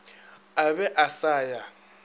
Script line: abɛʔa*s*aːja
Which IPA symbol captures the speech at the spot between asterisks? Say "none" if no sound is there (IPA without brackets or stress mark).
s